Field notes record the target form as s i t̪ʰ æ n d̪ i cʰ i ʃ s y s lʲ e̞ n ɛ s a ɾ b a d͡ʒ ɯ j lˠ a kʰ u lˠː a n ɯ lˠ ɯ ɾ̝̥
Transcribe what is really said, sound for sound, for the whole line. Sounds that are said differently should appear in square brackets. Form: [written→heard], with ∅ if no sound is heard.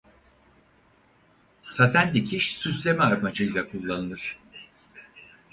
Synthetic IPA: s [i→a] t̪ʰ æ n d̪ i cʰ i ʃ s y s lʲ e̞ [n→m] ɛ [s→∅] a ɾ [b→m] a d͡ʒ ɯ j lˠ a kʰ u lˠː a n ɯ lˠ ɯ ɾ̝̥